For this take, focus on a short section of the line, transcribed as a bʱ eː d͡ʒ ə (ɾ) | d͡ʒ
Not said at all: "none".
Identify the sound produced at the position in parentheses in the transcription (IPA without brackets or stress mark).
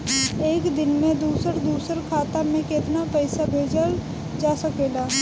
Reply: l